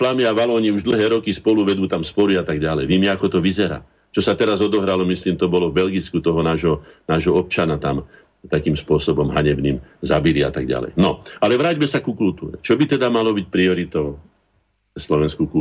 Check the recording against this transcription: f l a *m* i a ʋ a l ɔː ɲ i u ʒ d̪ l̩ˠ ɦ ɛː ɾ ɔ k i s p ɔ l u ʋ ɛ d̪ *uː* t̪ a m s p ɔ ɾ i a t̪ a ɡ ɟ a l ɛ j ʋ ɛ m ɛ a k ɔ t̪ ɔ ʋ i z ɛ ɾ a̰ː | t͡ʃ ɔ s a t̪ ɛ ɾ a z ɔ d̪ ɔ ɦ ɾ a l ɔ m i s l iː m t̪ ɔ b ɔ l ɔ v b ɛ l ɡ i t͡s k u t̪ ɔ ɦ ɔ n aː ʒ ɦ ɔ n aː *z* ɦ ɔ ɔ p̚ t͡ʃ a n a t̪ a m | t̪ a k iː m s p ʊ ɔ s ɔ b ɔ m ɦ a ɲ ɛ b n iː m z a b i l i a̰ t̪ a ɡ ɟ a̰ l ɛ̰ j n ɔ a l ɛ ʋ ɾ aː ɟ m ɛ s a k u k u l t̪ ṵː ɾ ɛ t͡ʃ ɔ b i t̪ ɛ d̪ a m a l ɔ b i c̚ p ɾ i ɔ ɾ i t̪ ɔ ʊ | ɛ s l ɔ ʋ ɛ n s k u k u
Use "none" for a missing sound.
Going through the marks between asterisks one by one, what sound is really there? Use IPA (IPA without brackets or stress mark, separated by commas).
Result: m, uː, ʒ